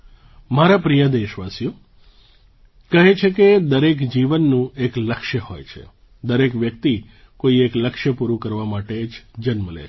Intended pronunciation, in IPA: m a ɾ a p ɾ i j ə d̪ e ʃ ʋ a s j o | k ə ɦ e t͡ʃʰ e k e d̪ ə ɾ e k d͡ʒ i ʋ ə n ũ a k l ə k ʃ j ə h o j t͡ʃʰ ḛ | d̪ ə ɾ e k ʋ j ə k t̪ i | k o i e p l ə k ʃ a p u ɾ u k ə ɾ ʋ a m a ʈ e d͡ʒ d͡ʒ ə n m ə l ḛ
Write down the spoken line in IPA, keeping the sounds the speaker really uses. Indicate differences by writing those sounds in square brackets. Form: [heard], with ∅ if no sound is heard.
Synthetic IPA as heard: m a ɾ a p ɾ i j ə d̪ e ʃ ʋ a s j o | k ə ɦ e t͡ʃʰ e k e d̪ ə ɾ e k d͡ʒ i ʋ ə [nː] ũ [e] k l ə k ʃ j ə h o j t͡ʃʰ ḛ | d̪ ə ɾ e k ʋ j ə k t̪ i | k o i e [k] l ə k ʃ [ə] p u ɾ u k ə ɾ ʋ a m a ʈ e d͡ʒ d͡ʒ ə n m ə l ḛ